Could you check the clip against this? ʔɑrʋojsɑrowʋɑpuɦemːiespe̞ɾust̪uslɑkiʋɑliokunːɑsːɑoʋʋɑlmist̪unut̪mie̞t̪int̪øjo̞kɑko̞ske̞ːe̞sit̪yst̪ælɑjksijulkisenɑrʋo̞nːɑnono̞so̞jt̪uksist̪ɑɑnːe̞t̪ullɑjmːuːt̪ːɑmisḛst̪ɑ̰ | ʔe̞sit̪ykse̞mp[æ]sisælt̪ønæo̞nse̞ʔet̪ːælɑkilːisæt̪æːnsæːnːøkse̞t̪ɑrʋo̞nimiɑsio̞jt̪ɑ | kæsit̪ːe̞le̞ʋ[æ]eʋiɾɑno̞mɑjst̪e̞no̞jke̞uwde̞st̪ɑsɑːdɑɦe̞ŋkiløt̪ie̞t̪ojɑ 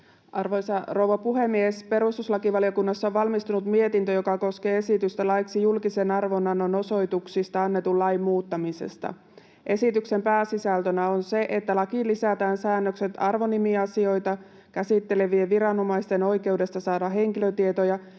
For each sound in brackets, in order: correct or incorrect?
incorrect: æː, incorrect: i

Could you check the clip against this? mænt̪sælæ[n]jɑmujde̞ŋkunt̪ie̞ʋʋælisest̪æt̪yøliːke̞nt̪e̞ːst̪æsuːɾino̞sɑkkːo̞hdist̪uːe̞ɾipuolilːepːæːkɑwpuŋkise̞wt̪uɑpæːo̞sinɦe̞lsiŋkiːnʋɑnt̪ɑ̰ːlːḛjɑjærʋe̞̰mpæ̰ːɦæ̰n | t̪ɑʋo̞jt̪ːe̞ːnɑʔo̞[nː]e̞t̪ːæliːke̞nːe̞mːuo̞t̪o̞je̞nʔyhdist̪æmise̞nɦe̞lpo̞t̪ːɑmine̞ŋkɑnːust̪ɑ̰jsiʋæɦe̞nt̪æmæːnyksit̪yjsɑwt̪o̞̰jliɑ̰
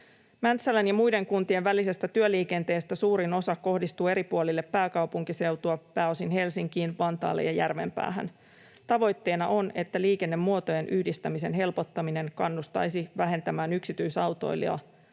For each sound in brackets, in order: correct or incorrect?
correct, incorrect: n

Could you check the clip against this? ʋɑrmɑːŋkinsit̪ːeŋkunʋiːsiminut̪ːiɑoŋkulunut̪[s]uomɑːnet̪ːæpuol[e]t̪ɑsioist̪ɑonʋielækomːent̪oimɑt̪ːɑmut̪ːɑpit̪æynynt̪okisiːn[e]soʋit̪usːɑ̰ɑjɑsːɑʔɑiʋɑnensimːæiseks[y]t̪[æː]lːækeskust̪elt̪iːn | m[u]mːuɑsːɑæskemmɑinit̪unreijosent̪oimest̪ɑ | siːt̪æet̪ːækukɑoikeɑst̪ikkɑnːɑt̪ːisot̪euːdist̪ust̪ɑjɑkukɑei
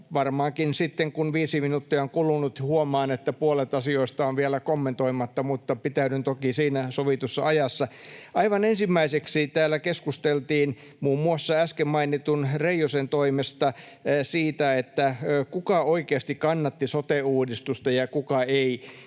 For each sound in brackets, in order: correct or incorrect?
incorrect: h, correct, incorrect: æ, incorrect: i, correct, incorrect: uː

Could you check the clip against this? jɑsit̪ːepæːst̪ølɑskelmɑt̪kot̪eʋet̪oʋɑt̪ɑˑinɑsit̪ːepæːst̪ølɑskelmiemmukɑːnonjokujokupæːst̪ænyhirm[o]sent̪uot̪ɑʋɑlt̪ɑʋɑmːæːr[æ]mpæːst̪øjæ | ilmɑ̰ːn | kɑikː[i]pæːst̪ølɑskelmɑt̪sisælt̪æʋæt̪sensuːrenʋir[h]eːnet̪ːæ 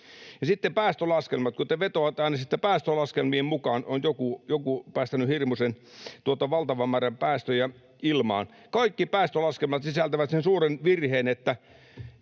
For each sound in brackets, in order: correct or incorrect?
incorrect: u, correct, correct, correct

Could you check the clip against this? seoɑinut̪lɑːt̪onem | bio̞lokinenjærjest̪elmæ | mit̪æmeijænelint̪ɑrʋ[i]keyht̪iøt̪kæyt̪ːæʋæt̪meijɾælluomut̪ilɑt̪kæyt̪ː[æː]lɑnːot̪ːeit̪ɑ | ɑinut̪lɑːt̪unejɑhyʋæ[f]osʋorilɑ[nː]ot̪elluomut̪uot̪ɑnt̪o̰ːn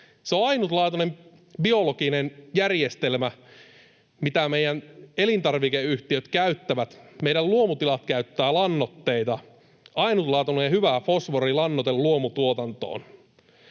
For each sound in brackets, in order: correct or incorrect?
correct, correct, correct, correct

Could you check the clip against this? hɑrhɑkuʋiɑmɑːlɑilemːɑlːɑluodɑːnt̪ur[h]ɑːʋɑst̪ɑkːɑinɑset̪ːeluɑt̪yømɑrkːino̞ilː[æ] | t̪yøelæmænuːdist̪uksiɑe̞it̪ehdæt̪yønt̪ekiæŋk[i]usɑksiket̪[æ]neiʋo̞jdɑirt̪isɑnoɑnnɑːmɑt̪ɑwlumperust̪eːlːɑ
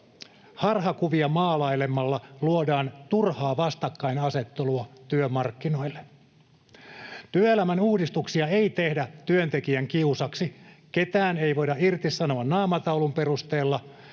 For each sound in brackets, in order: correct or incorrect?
correct, incorrect: e, correct, incorrect: æː

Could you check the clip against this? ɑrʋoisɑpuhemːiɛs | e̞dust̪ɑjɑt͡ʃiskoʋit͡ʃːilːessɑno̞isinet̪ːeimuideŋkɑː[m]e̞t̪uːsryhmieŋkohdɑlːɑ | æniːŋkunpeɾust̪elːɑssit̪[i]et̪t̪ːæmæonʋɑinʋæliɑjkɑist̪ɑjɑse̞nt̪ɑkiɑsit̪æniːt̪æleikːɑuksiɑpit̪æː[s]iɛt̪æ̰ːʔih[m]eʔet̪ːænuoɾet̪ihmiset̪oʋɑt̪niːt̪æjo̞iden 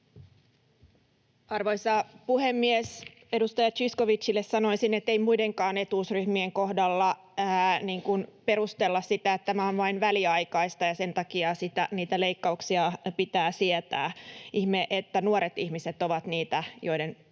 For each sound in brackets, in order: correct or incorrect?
incorrect: n, incorrect: æ, correct, correct

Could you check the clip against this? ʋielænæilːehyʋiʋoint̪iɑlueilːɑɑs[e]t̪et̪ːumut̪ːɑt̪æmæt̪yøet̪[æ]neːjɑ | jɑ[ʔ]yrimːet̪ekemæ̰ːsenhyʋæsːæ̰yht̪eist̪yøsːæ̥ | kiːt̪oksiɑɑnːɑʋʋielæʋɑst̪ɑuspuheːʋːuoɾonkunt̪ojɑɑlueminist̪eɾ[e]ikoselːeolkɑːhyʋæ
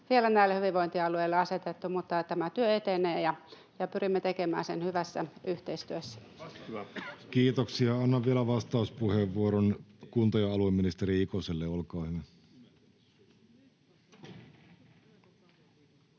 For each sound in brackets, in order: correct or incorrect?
correct, incorrect: e, incorrect: p, incorrect: i

